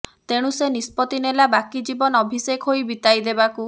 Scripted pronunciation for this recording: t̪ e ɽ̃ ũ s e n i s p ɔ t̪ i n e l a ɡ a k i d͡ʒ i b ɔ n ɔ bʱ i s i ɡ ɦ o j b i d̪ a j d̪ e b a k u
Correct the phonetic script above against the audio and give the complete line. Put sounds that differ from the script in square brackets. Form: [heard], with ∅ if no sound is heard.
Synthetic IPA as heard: t̪ e ɽ̃ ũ s e n i s p ɔ t̪ i n e l a [b] a k i d͡ʒ i b ɔ n ɔ bʱ i s [e] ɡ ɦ o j b i [t̪] a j d̪ e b a k u

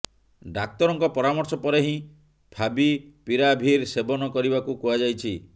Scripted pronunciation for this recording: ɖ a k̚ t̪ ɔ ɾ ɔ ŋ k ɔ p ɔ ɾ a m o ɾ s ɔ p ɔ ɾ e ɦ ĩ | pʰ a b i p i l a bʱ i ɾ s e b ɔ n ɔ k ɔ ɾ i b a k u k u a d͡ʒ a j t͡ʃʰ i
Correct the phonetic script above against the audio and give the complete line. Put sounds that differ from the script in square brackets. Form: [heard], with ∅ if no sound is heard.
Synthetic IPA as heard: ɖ a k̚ t̪ ɔ ɾ ɔ ŋ k ɔ p ɔ ɾ a m [ɔ] ɾ s ɔ p ɔ ɾ e ɦ ĩ | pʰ a b i p i [ɾ] a bʱ i ɾ s e b ɔ n ɔ k ɔ ɾ i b a k u k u a d͡ʒ a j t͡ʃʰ i

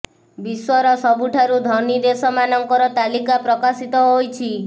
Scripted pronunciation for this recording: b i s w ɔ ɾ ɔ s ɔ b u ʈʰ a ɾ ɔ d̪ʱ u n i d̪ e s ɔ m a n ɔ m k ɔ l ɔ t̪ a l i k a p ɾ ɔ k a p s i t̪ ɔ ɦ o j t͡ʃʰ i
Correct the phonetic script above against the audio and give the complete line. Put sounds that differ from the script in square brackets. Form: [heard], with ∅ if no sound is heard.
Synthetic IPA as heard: b i s w ɔ ɾ ɔ s ɔ b u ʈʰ a ɾ [u] d̪ʱ [ɔ] n i d̪ e s ɔ m a n ɔ [ŋ] k ɔ [ɾ] ɔ t̪ a l i k a p ɾ ɔ k a [∅] s i t̪ ɔ ɦ o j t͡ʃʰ i

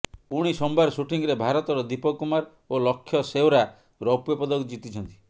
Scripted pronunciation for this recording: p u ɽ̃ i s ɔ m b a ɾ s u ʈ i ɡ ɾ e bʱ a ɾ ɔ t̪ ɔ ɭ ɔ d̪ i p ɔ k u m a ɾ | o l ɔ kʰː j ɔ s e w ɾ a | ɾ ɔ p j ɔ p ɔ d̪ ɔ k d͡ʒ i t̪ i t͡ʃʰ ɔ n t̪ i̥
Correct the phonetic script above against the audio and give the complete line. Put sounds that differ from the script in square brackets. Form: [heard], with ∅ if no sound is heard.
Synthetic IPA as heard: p u ɽ̃ i s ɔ m b a ɾ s u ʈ i [ŋ] ɾ e bʱ a ɾ ɔ t̪ ɔ [ɾ] ɔ d̪ i p ɔ k u m a ɾ | o l ɔ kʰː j ɔ s e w ɾ a | ɾ ɔ p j ɔ p ɔ d̪ ɔ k d͡ʒ i t̪ i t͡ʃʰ ɔ n t̪ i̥

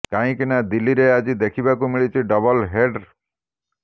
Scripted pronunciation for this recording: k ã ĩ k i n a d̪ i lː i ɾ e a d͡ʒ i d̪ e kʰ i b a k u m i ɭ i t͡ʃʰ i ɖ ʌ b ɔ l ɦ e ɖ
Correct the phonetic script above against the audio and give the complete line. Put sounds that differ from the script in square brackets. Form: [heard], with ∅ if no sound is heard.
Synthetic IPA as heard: k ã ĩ k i n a d̪ i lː i ɾ e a d͡ʒ i d̪ e kʰ i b a k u m i ɭ i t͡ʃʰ i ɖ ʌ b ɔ l ɦ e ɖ

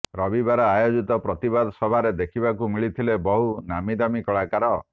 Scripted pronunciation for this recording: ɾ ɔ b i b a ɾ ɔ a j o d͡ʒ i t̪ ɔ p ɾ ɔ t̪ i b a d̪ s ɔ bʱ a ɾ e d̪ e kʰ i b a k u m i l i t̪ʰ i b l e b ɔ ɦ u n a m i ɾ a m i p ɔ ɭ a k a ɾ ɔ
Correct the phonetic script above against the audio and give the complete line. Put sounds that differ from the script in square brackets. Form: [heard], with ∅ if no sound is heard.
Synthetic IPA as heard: ɾ ɔ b i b a ɾ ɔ a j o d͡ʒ i t̪ ɔ p ɾ ɔ t̪ i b a d̪ s ɔ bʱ a ɾ e d̪ e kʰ i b a k u m i [ɭ] i t̪ʰ i [∅] l e b ɔ ɦ u n a m i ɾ a m i [k] ɔ ɭ a k a ɾ ɔ

